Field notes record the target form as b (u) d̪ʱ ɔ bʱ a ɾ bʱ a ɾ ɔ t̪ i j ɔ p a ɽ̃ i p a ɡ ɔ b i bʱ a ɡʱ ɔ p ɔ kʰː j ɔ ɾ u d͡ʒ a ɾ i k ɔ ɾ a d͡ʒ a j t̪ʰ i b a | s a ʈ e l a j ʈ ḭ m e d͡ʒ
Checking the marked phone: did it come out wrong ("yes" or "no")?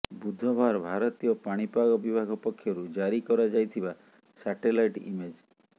no